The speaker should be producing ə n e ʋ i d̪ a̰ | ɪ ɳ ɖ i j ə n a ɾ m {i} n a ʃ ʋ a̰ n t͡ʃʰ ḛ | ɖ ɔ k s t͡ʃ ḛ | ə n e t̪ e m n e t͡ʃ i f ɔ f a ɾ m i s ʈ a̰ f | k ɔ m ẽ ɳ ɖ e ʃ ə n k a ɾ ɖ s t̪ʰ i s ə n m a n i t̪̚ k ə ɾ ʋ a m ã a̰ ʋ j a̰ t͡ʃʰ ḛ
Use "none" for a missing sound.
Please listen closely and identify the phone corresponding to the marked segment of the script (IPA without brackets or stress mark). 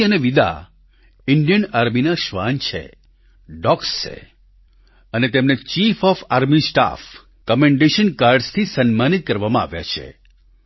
i